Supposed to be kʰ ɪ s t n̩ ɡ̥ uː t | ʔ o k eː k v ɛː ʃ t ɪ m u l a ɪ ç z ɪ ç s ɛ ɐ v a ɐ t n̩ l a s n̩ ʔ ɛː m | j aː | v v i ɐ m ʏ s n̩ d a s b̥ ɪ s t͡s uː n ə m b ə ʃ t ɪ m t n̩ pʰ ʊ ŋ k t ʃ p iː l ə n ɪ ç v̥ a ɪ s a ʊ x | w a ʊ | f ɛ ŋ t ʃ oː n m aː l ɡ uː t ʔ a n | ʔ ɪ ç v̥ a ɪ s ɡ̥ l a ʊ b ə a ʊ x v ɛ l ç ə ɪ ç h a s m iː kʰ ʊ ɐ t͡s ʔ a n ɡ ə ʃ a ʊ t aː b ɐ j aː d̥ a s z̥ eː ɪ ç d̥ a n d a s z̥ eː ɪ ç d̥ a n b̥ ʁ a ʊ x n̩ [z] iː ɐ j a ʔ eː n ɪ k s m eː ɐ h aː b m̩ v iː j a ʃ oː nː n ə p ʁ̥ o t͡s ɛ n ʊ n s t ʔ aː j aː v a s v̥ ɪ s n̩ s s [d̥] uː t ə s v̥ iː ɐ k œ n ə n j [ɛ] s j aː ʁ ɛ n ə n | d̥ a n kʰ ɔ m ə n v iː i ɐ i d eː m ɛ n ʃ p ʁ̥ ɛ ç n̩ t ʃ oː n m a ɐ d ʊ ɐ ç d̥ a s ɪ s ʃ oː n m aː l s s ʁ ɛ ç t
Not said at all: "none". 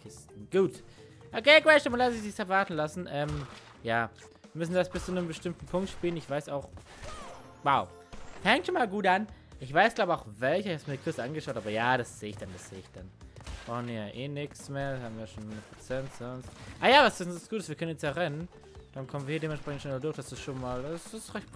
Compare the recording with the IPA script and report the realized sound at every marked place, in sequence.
v, ɡ̥, ɛ

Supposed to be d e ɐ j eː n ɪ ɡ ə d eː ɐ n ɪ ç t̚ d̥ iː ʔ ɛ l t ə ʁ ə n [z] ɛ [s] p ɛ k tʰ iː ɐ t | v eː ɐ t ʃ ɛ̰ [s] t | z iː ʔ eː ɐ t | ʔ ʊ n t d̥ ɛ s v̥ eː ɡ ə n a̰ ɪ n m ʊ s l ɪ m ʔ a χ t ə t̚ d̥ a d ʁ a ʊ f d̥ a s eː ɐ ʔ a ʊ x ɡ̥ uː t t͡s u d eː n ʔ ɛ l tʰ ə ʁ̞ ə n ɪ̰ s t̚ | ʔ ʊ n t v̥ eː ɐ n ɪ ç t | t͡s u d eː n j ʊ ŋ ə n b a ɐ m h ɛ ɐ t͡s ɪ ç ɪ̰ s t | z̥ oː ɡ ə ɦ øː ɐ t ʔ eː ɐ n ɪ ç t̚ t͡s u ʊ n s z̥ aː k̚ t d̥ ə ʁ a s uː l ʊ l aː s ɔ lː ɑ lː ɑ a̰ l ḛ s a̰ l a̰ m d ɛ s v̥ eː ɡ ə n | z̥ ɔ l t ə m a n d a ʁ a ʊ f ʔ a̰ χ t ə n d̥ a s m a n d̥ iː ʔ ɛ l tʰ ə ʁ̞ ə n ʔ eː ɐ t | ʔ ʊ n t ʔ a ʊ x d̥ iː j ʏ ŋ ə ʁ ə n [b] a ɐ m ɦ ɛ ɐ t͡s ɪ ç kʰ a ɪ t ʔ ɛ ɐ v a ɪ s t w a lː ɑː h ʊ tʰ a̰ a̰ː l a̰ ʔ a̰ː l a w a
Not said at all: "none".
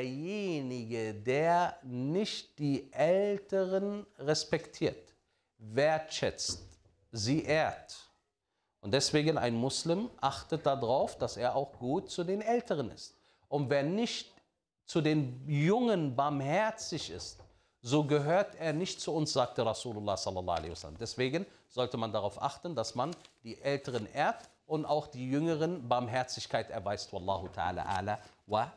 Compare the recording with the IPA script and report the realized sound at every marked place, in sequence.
ʁ, s, t͡s, b

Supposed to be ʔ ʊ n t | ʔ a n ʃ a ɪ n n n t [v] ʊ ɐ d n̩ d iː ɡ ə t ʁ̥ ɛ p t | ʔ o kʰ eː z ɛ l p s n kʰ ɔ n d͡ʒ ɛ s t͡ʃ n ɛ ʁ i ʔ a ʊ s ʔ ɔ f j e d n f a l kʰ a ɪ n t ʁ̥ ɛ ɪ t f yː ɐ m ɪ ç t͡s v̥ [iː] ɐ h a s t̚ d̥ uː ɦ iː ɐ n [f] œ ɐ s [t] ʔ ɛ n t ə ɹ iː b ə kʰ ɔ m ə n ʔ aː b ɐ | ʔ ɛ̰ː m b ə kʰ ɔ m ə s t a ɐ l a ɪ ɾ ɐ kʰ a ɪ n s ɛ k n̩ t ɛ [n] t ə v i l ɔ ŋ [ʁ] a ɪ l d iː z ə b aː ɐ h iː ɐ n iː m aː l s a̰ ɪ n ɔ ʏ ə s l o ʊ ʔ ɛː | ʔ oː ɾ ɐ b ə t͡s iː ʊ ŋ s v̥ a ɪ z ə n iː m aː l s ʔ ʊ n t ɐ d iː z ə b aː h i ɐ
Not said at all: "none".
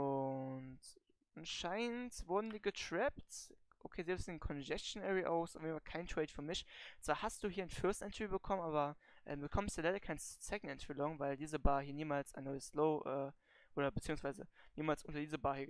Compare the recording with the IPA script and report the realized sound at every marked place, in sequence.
v, aː, f, t, n, v

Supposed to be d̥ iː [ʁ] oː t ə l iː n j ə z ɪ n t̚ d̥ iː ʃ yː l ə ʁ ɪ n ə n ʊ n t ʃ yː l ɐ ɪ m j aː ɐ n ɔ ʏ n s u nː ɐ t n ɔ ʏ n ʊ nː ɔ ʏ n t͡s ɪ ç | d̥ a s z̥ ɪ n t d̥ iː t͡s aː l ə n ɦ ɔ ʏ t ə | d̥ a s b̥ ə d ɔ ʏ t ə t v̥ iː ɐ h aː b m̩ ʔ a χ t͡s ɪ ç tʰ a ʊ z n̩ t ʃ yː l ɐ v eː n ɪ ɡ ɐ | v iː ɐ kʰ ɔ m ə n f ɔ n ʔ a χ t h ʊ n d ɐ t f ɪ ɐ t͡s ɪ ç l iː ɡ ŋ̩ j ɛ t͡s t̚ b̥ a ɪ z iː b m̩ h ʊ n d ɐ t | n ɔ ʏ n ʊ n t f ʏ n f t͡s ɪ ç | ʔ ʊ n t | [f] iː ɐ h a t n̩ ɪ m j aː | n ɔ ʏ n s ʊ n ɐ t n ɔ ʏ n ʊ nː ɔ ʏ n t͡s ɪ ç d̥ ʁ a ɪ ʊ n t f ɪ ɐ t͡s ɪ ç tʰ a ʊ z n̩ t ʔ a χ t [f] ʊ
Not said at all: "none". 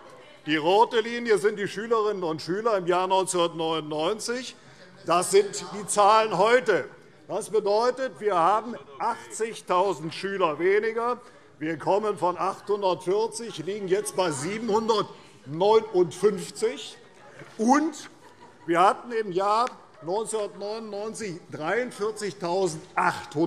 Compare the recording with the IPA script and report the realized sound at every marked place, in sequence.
ʁ, v, h

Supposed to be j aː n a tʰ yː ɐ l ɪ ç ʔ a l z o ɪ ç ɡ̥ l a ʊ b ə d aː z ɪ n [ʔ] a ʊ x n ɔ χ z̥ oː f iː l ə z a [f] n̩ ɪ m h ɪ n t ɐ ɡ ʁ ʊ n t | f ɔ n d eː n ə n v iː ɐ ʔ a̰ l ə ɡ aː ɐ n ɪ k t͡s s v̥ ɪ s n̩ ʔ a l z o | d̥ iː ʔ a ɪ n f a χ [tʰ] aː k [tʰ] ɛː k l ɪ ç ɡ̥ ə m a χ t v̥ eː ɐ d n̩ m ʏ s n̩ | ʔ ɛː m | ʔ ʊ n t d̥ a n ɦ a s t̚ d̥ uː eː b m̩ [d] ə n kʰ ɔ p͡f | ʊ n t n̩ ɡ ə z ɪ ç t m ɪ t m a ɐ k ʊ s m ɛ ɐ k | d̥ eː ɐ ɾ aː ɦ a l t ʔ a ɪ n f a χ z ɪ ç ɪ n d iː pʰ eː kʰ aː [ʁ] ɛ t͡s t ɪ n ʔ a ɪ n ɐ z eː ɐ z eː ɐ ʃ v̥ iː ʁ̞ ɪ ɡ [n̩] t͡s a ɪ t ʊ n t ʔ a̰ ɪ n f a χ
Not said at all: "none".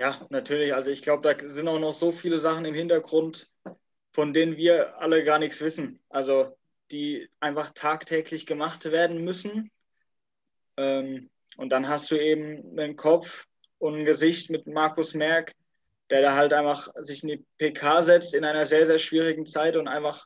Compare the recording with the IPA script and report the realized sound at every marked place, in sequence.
t, χ, tʰ, tʰ, n, z, ŋ̩

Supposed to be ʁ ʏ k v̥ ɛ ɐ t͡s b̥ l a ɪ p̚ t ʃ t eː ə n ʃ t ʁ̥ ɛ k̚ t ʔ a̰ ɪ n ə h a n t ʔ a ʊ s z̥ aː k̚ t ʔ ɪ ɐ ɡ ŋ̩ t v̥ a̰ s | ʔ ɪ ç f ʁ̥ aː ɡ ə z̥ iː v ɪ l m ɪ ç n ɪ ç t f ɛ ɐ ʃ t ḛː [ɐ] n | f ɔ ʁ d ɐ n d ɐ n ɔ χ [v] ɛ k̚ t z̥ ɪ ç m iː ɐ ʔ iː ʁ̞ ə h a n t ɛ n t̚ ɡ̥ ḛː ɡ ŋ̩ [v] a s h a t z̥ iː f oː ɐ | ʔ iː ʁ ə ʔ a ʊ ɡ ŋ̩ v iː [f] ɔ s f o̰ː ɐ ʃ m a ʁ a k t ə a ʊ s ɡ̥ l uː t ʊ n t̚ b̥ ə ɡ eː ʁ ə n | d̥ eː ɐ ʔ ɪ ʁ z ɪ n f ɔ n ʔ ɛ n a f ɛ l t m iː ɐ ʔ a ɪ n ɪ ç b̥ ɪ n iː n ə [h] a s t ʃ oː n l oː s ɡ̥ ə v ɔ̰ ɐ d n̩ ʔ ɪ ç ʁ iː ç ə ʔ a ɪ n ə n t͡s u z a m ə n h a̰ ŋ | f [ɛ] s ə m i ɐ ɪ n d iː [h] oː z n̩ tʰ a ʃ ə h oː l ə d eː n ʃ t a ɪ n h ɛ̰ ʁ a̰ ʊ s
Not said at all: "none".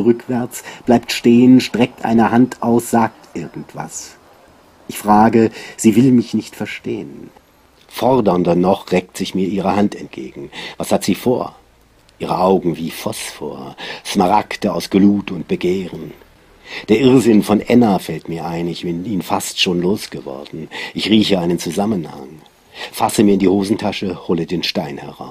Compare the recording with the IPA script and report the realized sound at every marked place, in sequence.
ə, ʁ, v, f, f, a, h

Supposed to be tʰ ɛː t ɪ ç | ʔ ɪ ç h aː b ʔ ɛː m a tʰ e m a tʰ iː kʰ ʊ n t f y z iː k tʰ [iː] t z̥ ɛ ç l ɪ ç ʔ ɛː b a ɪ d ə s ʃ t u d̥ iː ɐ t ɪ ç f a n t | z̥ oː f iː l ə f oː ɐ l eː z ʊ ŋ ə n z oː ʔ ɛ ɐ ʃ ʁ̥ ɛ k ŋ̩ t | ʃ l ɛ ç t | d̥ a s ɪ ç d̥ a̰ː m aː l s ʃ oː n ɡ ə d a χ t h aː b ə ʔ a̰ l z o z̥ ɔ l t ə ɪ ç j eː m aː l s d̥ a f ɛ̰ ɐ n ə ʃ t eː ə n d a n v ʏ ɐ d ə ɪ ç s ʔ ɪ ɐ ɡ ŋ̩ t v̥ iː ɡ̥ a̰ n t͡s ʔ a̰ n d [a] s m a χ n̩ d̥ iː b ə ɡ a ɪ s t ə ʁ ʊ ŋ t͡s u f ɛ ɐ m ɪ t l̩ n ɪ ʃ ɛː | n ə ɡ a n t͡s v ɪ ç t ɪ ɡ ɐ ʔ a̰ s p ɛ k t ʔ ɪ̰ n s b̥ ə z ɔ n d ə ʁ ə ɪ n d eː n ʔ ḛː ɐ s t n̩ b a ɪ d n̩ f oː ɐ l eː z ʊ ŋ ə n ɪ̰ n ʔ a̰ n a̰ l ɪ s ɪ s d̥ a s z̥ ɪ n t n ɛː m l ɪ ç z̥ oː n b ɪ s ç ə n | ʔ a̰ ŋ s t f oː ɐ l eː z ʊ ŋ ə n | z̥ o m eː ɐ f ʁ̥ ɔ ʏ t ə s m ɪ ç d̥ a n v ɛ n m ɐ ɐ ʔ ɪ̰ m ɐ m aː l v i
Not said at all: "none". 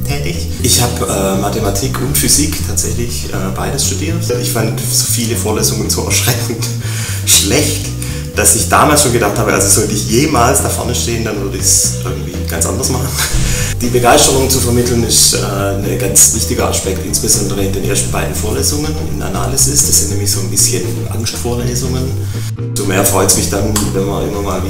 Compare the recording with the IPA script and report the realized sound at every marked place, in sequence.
aː, ɐ

